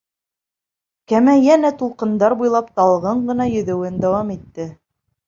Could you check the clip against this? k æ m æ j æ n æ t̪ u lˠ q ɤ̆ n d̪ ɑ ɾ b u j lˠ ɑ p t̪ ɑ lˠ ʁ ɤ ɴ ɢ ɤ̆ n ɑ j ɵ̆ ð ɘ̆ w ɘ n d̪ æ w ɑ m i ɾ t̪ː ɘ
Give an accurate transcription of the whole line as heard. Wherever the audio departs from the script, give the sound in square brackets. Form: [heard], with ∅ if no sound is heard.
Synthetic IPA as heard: k æ m æ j æ n æ t̪ u lˠ q ɤ̆ n d̪ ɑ ɾ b u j lˠ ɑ p t̪ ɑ lˠ ʁ ɤ ɴ ɢ ɤ̆ n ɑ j ɵ̆ ð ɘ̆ w ɘ n d̪ æ w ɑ m i [∅] t̪ː ɘ